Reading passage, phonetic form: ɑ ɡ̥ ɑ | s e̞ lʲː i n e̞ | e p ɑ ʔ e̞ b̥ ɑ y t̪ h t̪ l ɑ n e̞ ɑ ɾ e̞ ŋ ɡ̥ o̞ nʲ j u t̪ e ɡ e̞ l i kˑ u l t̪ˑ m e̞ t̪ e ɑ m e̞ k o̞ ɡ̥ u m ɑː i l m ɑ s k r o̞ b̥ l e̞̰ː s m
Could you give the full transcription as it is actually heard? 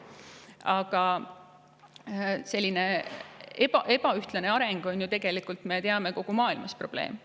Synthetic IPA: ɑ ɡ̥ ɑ | s e̞ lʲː i n e̞ | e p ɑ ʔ e̞ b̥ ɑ y h t̪ l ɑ n e̞ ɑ ɾ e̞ ŋ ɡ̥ o̞ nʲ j u t̪ e ɡ e̞ l i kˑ u l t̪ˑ m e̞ t̪ e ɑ m e̞ k o̞ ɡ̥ u m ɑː i l m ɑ s p r o̞ b̥ l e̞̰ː m